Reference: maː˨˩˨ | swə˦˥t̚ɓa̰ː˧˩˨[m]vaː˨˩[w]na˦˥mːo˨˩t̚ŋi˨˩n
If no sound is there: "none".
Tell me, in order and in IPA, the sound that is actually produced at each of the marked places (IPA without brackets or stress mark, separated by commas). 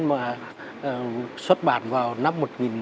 n, w